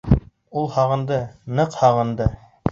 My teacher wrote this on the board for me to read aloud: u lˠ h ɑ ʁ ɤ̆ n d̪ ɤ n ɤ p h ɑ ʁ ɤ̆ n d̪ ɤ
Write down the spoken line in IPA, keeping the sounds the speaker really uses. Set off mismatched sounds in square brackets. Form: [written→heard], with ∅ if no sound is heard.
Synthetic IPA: u lˠ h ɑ ʁ ɤ̆ n d̪ ɤ n ɤ [p→q] h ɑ ʁ ɤ̆ n d̪ ɤ